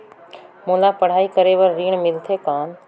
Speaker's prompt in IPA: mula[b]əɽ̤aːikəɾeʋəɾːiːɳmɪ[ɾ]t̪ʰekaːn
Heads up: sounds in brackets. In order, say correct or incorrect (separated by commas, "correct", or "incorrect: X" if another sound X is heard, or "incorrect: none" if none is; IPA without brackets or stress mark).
incorrect: p, incorrect: l